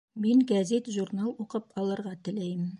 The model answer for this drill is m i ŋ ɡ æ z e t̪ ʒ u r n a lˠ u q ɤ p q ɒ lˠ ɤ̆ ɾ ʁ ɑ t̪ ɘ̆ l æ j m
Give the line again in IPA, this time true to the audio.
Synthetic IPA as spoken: m i ŋ ɡ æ z e t̪ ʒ u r n a lˠ u q ɤ p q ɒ lˠ ɤ̆ ɾ ʁ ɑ t̪ ɘ̆ l æ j m